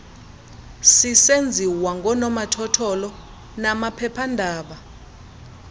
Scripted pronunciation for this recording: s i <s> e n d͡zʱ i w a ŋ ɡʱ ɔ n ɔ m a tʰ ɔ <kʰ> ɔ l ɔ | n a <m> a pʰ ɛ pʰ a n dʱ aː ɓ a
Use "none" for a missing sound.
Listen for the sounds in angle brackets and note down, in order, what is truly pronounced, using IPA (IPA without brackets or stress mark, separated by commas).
s, tʰ, m